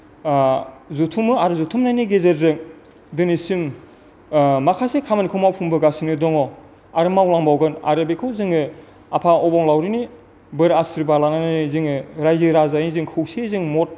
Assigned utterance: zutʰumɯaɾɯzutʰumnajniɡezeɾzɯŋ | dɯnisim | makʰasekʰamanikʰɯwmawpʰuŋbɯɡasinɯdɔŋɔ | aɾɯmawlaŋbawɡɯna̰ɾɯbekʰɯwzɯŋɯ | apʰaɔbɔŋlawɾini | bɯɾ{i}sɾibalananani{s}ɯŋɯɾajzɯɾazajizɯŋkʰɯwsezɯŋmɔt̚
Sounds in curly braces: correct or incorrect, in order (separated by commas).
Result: incorrect, incorrect